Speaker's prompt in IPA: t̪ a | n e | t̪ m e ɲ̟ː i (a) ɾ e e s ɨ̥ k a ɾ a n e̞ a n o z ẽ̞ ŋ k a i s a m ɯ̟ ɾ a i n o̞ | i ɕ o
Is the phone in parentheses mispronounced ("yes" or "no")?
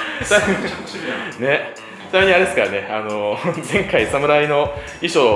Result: no